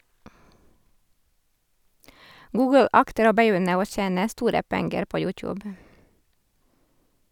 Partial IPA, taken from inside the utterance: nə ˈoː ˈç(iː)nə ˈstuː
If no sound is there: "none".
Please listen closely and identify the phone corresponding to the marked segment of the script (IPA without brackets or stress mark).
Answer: eː